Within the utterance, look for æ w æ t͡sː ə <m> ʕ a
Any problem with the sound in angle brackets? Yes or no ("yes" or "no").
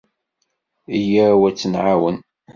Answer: yes